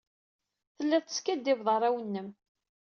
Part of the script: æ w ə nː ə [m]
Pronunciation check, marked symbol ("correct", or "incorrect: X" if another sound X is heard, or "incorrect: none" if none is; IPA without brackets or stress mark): correct